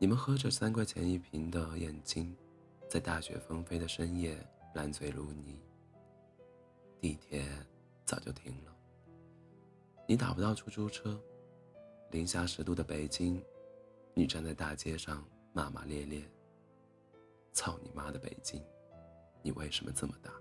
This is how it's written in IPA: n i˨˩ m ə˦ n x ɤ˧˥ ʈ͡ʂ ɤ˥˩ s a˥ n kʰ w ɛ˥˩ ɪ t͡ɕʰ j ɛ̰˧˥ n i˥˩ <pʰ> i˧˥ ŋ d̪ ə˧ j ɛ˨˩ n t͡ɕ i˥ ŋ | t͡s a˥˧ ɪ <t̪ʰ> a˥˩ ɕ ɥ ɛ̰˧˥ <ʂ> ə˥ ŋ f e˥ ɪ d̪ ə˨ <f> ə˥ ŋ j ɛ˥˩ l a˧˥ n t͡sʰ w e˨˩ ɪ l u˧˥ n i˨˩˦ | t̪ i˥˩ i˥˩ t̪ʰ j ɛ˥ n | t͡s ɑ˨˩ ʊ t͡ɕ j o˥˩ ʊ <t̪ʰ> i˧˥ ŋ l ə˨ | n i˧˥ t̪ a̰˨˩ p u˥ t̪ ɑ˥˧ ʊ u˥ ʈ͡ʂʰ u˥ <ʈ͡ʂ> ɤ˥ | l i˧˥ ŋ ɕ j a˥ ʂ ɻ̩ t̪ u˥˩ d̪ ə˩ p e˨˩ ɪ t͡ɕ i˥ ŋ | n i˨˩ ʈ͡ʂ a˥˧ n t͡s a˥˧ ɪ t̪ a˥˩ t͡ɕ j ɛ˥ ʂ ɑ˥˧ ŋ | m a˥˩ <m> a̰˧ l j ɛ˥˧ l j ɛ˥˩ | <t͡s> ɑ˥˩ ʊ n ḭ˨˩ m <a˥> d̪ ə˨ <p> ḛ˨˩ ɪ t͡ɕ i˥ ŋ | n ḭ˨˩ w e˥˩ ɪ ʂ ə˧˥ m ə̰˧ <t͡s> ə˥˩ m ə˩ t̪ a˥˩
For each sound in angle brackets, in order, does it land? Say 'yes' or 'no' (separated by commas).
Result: yes, no, no, no, yes, no, yes, no, yes, yes, yes